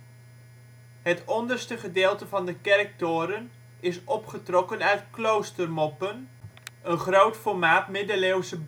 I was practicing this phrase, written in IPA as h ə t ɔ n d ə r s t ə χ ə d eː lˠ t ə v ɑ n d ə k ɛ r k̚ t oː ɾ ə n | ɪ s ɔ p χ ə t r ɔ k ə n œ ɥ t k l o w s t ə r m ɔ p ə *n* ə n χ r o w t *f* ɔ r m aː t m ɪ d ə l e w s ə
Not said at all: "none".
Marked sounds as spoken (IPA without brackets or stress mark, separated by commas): n, f